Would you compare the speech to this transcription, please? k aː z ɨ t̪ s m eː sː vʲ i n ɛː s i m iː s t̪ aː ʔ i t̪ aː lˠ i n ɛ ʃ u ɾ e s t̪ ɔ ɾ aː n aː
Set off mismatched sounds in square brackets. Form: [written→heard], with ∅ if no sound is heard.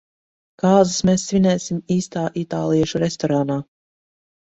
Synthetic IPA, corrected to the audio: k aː z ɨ [t̪→∅] s m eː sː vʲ i n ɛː s i m iː s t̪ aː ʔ i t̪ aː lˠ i [n→∅] ɛ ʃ u ɾ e s t̪ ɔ ɾ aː n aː

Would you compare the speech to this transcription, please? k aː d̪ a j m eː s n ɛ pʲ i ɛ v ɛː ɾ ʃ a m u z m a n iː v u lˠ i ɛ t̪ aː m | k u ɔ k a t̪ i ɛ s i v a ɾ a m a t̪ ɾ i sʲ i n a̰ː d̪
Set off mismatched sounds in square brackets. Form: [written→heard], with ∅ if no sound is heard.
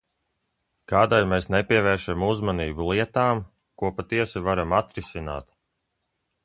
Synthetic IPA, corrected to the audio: k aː d̪ a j m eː s n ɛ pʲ i ɛ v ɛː ɾ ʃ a m u z m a n iː [v→b] u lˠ i ɛ t̪ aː m | k u ɔ [k→p] a t̪ i ɛ s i v a ɾ a m a t̪ ɾ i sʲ i n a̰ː [d̪→t̪]

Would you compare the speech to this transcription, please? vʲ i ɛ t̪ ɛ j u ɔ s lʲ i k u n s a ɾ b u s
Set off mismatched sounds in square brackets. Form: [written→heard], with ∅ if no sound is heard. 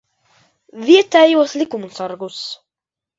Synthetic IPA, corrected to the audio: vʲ i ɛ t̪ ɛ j u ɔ s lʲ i k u [n→m] s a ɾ [b→ɡ] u s

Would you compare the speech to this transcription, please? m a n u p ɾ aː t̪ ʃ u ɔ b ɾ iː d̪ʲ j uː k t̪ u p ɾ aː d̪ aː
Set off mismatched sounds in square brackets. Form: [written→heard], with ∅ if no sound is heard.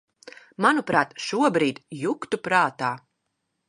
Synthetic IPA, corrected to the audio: m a n u p ɾ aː t̪ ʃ u ɔ b ɾ iː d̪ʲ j [uː→u] k t̪ u p ɾ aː [d̪→t̪] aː

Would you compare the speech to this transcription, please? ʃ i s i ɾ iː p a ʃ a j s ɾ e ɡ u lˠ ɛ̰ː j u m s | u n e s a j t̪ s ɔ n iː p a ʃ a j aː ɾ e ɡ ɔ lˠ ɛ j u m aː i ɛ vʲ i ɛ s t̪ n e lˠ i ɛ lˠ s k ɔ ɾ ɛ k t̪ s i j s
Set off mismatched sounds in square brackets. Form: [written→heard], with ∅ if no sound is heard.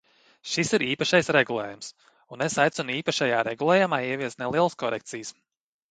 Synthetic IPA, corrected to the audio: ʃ i s i ɾ iː p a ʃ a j s ɾ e ɡ u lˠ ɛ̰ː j u m s | u n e s a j t̪ s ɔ n iː p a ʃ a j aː ɾ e ɡ [ɔ→u] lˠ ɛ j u m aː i ɛ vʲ i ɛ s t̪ n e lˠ i ɛ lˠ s k ɔ ɾ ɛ k t̪ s i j s

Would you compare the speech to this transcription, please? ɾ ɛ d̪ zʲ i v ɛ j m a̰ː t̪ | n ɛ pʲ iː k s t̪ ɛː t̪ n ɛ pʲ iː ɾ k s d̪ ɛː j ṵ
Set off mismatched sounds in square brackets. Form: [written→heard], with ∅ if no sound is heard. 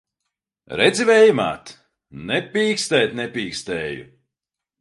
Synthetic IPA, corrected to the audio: ɾ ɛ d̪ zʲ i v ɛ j m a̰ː t̪ | n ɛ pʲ iː k s t̪ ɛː t̪ n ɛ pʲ iː [ɾ→∅] k s [d̪→t̪] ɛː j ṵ

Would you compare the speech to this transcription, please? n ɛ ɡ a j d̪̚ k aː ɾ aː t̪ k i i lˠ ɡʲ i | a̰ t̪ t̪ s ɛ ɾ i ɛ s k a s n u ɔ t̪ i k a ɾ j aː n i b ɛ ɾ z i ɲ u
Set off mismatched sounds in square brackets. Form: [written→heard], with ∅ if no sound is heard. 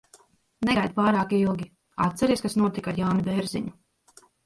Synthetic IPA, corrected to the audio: n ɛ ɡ a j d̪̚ [k→p] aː ɾ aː [t̪→∅] k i i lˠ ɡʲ i | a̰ t̪ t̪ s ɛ ɾ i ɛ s k a s n u ɔ t̪ i k a ɾ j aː n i b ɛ ɾ z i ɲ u

